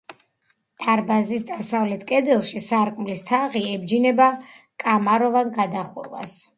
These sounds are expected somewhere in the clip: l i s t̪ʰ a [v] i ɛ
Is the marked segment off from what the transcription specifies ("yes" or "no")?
yes